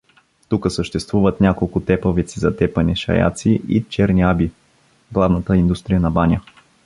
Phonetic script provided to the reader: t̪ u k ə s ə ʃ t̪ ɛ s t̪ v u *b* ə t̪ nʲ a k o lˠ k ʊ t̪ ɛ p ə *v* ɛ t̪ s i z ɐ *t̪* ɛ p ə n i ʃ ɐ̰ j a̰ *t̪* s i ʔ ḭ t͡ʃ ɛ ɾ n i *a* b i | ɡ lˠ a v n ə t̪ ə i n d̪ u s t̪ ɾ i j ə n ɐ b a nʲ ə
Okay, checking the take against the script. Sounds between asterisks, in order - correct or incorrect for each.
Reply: incorrect: v, correct, correct, correct, correct

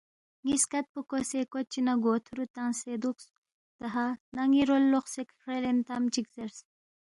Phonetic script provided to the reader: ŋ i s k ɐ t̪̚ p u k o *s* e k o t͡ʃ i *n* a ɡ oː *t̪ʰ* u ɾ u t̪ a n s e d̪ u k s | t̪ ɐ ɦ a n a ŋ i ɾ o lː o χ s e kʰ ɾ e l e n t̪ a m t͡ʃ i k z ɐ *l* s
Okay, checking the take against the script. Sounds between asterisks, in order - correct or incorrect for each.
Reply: correct, correct, correct, incorrect: ɾ

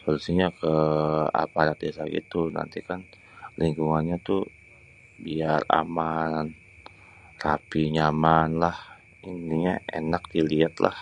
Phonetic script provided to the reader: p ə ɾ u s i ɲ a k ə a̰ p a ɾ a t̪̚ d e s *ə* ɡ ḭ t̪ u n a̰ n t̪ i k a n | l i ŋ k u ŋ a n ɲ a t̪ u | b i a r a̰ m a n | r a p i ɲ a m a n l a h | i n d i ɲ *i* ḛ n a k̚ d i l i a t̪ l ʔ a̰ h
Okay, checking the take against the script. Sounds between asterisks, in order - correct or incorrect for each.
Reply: incorrect: a, incorrect: a

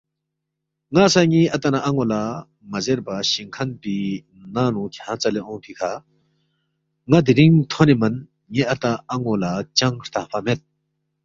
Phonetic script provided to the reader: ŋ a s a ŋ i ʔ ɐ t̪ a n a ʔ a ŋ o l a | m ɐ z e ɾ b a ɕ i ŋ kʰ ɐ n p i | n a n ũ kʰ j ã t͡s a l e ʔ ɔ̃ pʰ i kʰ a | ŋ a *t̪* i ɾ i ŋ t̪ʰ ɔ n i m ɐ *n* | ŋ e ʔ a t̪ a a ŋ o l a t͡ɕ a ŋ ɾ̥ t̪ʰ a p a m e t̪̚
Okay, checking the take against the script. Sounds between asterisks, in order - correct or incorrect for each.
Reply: incorrect: d̪, correct

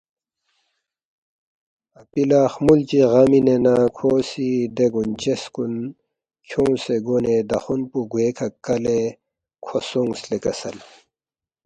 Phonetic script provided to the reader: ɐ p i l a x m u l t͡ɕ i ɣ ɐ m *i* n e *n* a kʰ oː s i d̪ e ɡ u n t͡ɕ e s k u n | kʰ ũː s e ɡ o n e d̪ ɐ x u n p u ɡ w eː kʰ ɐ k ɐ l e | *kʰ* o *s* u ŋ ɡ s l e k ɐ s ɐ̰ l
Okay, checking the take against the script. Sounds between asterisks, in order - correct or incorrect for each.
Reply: correct, correct, correct, correct

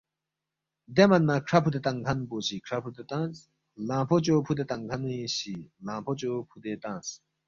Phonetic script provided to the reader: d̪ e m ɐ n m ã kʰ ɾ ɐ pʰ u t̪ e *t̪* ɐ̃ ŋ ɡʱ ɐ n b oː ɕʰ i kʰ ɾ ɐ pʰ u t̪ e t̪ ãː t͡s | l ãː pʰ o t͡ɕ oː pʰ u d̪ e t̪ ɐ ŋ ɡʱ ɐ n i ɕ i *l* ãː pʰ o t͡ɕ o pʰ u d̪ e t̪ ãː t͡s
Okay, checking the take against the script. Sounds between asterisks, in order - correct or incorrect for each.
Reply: correct, correct

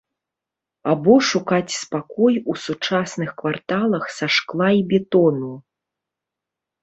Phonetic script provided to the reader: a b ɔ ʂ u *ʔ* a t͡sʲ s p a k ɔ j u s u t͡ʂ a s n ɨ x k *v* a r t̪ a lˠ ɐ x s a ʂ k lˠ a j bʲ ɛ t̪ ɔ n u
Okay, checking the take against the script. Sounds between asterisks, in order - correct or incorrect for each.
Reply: incorrect: k, correct

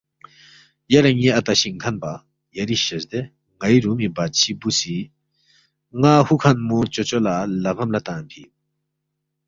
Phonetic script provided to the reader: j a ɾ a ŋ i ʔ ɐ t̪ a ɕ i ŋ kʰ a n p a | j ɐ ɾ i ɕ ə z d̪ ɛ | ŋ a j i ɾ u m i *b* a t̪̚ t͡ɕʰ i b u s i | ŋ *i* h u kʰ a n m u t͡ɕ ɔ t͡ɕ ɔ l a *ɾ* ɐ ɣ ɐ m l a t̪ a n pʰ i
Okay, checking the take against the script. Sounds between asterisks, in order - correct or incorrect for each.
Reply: correct, incorrect: a, incorrect: l

